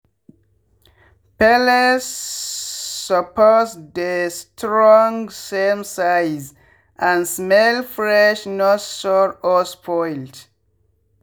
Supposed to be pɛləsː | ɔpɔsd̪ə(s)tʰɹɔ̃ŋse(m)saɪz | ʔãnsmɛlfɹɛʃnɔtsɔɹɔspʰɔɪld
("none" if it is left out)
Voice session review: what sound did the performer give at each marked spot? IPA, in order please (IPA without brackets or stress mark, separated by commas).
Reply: s, m